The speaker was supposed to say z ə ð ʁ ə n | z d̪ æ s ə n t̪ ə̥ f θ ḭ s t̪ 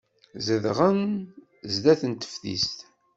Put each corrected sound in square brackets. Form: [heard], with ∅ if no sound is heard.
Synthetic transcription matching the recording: z ə ð ʁ ə n | z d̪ æ [θ] ə n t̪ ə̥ f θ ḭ s t̪